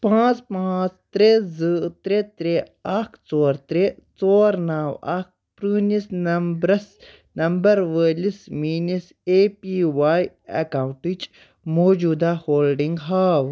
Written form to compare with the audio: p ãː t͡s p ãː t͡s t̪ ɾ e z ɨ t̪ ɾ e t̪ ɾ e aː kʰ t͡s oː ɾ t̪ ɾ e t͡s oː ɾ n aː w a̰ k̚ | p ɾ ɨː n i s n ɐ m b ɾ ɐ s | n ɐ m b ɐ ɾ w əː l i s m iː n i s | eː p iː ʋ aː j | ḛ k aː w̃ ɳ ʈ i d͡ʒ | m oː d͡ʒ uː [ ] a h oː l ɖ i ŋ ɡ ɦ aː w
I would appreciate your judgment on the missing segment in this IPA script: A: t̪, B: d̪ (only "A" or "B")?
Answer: B